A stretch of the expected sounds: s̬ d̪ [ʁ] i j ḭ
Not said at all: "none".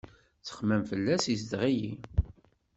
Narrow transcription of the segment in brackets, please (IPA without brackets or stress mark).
ʁ